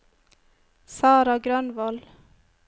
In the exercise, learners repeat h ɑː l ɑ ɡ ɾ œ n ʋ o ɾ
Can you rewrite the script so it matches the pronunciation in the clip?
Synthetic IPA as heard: s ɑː ɾ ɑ ɡ ɾ œ n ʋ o l